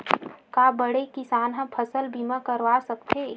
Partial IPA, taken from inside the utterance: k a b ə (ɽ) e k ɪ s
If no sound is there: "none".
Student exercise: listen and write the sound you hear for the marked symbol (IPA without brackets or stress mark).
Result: ɽ